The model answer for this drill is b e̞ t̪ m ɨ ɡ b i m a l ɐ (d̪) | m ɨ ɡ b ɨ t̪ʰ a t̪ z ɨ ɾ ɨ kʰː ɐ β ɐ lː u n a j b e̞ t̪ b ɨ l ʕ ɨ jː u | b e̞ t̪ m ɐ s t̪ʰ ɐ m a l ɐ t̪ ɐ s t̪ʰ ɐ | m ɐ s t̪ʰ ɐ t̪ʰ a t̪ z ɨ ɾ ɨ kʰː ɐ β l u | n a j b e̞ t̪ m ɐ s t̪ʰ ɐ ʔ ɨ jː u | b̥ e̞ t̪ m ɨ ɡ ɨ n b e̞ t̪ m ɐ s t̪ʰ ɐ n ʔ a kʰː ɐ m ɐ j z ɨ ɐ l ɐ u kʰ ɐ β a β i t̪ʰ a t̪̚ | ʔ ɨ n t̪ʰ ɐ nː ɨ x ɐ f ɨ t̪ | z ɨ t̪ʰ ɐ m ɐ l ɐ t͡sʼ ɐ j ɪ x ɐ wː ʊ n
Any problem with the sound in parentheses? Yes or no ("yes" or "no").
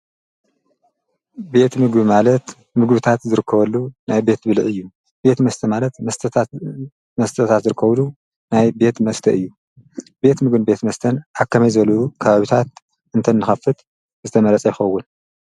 yes